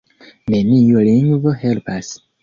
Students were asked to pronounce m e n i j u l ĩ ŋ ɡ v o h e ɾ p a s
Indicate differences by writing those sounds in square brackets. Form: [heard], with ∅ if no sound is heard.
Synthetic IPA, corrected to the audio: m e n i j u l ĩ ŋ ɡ v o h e [l] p a s